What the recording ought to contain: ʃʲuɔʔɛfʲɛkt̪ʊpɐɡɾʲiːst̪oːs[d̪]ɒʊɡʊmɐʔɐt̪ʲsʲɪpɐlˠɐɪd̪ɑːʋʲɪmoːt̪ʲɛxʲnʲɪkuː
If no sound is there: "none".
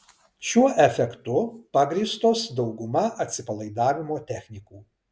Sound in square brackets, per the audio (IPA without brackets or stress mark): d̪